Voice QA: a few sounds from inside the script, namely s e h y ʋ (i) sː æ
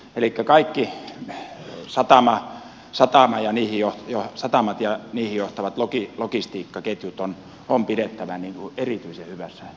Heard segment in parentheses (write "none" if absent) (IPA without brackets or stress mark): æ